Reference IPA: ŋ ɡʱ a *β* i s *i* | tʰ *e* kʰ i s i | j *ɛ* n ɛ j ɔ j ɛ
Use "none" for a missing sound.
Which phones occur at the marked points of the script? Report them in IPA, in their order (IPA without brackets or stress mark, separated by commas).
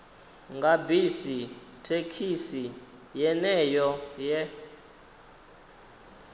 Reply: b, i, e, ɛ